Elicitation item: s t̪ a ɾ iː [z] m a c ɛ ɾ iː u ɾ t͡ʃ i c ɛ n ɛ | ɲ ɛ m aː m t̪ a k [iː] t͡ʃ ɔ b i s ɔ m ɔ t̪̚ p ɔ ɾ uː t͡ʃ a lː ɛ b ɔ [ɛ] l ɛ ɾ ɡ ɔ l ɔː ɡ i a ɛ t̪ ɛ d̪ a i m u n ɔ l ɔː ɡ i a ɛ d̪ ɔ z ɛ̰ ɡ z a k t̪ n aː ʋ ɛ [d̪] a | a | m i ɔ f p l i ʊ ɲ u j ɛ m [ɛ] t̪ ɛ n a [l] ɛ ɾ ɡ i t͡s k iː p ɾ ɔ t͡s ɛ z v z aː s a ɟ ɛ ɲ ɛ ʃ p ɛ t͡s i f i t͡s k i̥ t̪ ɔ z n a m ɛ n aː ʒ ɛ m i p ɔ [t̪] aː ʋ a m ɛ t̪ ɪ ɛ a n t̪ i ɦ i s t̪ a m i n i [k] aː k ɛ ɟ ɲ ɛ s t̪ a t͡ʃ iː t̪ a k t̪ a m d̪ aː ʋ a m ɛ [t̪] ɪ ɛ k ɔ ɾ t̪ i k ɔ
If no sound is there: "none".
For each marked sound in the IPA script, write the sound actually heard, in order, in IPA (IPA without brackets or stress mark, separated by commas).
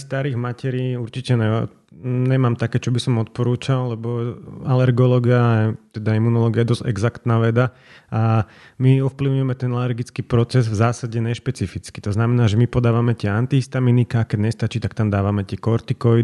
ɣ, ɛː, a, d̪, ɛ, l, d̪, k, t̪